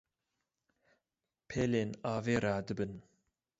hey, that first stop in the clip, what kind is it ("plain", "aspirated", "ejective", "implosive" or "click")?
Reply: aspirated